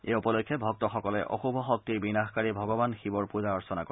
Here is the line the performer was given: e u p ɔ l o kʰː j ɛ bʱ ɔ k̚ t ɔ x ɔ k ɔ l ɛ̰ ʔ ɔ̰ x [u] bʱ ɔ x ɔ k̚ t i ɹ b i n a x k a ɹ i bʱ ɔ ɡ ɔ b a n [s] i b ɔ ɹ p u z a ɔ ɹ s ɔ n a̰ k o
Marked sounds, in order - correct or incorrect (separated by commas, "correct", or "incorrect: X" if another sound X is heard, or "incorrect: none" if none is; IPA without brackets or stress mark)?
correct, incorrect: x